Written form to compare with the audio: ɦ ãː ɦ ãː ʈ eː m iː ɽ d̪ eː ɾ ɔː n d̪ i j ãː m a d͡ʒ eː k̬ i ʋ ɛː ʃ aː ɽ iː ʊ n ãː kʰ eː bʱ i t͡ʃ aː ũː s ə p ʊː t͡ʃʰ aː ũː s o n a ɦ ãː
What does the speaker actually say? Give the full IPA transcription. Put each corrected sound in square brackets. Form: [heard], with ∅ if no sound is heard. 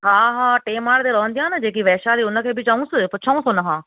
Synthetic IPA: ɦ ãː ɦ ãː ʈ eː m [aː] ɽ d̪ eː ɾ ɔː n d̪ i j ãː [n] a d͡ʒ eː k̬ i ʋ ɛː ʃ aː [ɾ] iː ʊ n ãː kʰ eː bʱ i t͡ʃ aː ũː s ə p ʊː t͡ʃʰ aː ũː s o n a ɦ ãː

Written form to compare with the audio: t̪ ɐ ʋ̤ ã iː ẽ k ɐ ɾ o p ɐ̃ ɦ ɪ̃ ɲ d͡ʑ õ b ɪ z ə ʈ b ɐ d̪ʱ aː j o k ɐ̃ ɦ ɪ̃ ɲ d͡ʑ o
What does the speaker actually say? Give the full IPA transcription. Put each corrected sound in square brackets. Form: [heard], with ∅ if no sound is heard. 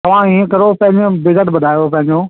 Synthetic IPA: t̪ ɐ ʋ̤ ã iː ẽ k ɐ ɾ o p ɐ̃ ɦ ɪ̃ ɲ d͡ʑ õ b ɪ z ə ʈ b ɐ d̪ʱ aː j o [p] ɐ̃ ɦ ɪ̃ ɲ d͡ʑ o

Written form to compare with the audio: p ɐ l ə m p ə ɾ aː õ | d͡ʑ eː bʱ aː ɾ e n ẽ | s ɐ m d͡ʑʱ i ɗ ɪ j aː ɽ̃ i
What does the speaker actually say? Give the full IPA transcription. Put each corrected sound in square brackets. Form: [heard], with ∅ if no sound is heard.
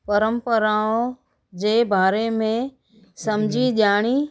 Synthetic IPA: p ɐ [ɾ] ə m p ə ɾ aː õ | d͡ʑ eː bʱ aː ɾ e [m] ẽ | s ɐ m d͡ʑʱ i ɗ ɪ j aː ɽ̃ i

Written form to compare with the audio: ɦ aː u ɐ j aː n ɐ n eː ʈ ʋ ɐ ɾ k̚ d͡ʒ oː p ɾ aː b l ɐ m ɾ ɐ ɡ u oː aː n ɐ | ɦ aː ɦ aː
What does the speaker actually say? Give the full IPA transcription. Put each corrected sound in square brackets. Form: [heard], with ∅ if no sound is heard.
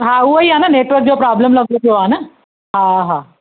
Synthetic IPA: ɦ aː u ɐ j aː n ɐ n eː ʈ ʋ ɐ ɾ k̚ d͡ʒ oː p ɾ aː b l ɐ m [l] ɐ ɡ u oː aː n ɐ | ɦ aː ɦ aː

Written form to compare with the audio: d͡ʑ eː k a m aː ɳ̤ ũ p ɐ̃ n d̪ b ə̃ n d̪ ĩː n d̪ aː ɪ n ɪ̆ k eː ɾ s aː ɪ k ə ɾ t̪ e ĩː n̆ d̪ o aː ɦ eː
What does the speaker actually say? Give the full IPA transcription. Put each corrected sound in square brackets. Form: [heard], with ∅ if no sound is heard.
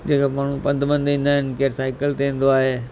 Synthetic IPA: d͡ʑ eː k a m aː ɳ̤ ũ p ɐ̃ n d̪ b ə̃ n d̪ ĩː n d̪ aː ɪ n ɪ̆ k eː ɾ s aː ɪ k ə [l] t̪ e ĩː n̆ d̪ o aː ɦ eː

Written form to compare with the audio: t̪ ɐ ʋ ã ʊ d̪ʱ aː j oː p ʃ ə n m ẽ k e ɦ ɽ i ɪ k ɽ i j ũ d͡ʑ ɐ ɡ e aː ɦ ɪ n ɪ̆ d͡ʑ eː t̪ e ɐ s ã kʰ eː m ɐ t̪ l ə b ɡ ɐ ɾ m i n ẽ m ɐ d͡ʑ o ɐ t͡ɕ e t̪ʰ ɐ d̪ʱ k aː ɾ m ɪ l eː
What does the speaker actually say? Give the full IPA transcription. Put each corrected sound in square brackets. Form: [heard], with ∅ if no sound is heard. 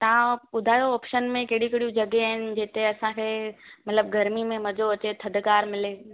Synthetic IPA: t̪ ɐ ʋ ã ʊ d̪ʱ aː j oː p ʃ ə n m ẽ k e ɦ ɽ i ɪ k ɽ i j ũ d͡ʑ ɐ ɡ e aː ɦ ɪ n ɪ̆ d͡ʑ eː t̪ e ɐ s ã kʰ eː m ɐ t̪ l ə b ɡ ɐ ɾ m i [m] ẽ m ɐ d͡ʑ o ɐ t͡ɕ e t̪ʰ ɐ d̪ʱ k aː ɾ m ɪ l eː

